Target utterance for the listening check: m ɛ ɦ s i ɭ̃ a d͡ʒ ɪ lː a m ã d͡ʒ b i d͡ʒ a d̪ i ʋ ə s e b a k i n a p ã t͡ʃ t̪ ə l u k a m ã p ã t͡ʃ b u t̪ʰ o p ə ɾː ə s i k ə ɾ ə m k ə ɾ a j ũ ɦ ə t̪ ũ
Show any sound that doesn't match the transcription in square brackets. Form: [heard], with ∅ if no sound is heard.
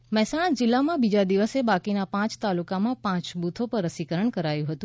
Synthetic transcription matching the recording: m ɛ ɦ s [a] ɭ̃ a d͡ʒ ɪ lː a m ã [∅] b i d͡ʒ a d̪ i ʋ ə s e b a k i n a p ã t͡ʃ t̪ [a] l u k a m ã p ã t͡ʃ b u t̪ʰ o p ə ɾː ə s i k ə ɾ ə [ɳ] k ə ɾ a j ũ ɦ ə t̪ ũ